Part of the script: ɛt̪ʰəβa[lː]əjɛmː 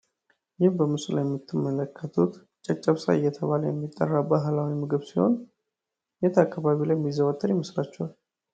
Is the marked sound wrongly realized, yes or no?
yes